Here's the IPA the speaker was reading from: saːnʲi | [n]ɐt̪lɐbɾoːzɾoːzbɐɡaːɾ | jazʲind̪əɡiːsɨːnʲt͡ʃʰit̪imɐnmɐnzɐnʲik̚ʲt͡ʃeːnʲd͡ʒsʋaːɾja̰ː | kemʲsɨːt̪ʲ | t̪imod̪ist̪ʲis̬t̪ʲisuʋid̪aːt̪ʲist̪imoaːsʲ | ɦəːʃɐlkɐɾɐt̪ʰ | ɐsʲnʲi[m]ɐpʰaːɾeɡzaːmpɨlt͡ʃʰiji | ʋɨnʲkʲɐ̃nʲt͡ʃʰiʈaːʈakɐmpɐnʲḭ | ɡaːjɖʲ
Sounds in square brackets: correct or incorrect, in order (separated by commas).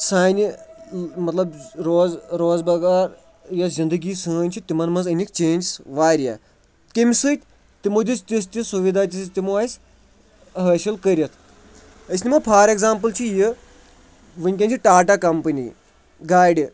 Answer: incorrect, correct